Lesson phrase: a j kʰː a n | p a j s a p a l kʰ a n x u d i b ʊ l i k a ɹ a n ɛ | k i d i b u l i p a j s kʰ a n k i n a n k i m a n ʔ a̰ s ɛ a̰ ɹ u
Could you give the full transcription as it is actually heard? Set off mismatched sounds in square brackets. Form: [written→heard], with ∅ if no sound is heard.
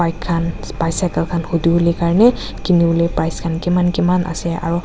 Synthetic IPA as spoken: a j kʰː a n | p a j s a [p→k] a l kʰ a n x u d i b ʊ l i k a ɹ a n ɛ | k i [d→n] i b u l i p a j s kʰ a n k i [n→m] a n k i m a n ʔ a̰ s ɛ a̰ ɹ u